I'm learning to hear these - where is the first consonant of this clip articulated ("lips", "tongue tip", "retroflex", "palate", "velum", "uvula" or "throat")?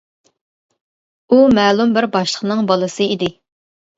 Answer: lips